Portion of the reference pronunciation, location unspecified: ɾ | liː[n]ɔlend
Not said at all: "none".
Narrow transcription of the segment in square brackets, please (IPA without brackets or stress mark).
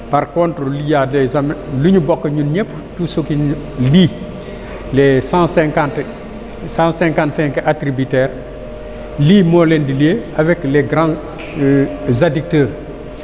m